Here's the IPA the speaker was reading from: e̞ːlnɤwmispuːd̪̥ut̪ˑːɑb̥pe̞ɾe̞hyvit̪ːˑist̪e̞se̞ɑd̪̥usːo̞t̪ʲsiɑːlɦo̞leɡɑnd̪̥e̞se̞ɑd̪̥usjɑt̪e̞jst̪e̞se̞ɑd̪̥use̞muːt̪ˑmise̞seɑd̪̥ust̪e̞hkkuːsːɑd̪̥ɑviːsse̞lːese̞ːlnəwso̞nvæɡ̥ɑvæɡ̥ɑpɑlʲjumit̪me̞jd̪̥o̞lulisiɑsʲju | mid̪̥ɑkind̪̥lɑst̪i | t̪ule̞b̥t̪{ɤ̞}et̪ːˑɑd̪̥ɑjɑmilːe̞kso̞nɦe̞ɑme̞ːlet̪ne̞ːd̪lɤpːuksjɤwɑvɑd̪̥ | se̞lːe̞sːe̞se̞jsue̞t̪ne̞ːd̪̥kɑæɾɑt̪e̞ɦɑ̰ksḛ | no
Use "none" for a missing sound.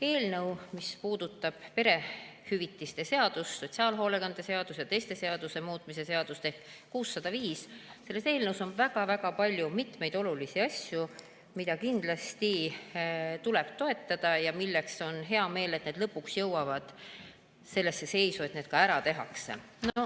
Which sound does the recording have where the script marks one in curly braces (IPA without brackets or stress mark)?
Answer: o̞